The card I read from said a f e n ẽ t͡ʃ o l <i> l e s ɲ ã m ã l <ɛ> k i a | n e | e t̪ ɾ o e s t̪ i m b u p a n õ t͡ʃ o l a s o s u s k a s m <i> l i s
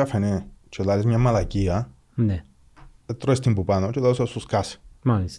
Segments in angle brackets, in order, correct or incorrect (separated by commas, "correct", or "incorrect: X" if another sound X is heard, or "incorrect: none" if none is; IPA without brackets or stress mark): incorrect: a, incorrect: a, incorrect: a